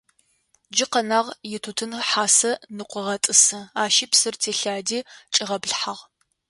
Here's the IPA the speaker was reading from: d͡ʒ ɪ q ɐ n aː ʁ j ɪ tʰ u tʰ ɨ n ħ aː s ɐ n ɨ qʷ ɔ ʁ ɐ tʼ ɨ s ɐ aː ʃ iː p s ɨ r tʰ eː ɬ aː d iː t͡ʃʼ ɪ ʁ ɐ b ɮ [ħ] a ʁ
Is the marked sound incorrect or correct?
correct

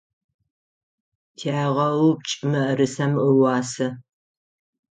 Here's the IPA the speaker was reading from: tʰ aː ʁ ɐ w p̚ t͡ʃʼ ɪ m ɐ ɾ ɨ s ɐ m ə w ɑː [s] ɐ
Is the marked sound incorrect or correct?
correct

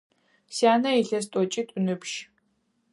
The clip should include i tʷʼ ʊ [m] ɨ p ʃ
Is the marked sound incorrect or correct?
incorrect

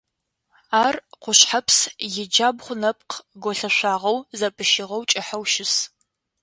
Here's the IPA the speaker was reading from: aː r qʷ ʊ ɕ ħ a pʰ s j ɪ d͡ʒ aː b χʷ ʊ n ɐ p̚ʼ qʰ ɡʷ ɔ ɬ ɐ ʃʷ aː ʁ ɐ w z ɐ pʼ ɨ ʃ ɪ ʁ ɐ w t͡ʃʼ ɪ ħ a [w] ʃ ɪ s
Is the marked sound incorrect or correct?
correct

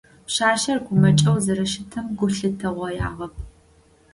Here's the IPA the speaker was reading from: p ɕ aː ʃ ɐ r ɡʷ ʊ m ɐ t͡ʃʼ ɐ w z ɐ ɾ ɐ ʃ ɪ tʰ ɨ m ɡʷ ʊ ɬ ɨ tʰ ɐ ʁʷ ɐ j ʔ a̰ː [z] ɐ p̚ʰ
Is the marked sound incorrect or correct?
incorrect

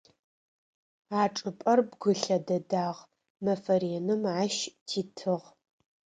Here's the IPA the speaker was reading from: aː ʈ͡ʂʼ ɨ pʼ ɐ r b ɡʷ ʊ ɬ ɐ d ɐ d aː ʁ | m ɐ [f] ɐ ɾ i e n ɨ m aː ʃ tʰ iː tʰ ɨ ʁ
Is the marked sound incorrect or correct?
correct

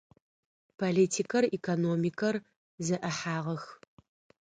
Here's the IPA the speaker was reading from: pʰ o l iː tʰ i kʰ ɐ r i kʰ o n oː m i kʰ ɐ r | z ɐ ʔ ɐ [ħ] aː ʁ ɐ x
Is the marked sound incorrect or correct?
correct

